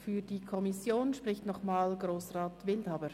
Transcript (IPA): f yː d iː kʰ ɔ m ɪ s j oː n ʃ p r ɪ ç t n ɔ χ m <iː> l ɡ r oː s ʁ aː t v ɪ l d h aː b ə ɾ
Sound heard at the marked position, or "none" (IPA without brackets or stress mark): aː